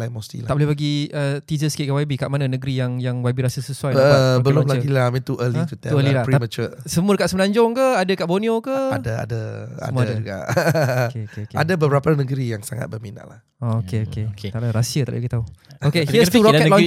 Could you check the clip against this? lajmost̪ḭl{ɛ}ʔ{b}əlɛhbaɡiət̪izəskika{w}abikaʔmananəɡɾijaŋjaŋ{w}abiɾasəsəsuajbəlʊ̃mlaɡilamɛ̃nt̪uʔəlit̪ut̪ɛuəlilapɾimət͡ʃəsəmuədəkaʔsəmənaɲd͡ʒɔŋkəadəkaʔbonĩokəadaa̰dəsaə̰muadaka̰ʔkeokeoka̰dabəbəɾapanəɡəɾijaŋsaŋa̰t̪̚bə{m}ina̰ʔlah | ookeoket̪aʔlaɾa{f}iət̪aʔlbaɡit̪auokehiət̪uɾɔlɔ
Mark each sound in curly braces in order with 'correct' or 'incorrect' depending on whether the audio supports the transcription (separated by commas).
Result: incorrect, correct, correct, correct, correct, incorrect